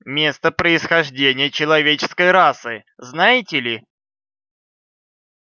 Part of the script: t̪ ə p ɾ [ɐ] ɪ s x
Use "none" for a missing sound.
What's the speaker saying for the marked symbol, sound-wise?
ə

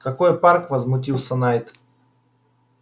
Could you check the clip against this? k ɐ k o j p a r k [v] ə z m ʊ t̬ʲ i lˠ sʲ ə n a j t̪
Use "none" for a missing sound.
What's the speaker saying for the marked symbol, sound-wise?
v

